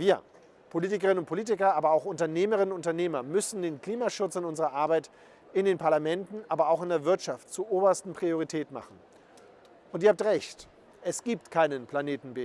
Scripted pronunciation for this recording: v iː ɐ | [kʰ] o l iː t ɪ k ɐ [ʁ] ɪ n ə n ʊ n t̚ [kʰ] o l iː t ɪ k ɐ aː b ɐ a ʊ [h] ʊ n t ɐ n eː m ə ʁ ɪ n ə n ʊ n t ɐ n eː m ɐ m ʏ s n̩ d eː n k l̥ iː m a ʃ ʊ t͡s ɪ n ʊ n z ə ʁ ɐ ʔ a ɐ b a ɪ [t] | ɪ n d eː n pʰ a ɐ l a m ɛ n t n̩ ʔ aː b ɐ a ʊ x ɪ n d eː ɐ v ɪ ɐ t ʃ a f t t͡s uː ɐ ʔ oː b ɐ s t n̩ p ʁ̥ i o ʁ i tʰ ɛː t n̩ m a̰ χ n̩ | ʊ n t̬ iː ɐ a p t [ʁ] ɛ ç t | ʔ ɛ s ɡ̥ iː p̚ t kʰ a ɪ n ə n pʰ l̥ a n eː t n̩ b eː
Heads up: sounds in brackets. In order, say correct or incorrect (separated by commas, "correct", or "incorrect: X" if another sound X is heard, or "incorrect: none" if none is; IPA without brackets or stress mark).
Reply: incorrect: pʰ, correct, incorrect: pʰ, incorrect: x, correct, correct